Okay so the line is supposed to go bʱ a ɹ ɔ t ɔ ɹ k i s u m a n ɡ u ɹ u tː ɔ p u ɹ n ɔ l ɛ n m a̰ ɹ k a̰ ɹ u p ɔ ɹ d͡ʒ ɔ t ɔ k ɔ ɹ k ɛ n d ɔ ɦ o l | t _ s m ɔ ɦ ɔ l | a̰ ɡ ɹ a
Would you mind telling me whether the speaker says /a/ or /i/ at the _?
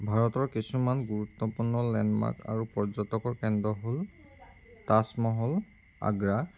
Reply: a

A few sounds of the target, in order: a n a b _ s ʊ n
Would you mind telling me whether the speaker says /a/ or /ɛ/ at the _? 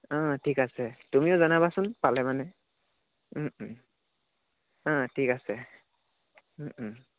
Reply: a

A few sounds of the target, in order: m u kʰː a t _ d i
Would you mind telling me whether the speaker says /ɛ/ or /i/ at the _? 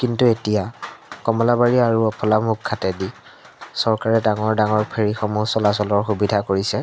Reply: ɛ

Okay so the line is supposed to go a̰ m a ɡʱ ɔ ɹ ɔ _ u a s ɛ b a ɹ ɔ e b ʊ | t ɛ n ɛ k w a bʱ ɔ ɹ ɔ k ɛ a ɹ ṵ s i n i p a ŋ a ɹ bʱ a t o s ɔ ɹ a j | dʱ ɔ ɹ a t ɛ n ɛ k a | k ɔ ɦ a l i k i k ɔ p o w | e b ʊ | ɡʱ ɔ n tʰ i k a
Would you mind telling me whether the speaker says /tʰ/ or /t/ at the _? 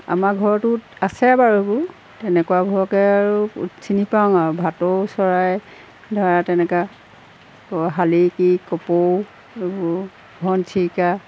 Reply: t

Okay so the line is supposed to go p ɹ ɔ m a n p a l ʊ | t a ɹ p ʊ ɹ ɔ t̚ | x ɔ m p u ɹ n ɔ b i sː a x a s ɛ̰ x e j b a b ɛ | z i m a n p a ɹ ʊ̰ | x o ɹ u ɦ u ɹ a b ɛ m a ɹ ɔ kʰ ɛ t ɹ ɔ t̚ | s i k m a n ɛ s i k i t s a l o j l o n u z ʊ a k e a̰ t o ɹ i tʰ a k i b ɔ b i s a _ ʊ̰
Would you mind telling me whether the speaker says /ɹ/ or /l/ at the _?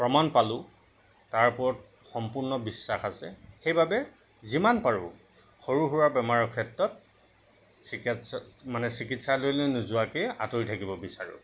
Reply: ɹ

